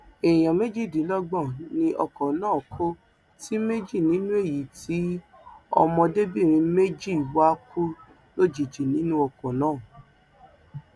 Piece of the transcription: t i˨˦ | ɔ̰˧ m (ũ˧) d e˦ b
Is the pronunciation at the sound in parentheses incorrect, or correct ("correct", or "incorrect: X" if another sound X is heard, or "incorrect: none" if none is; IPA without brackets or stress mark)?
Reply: incorrect: ɔ̃˧